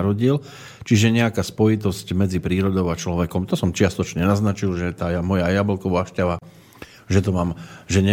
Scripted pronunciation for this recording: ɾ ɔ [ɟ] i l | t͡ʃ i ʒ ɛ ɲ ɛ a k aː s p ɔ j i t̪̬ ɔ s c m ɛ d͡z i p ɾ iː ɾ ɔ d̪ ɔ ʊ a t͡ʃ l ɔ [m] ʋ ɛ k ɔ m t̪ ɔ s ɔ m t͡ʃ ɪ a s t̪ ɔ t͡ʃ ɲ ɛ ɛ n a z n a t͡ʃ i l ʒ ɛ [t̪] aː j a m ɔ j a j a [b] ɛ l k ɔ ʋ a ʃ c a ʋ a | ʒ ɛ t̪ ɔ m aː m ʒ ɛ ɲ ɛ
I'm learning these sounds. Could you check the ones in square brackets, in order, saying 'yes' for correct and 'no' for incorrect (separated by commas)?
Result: yes, no, yes, yes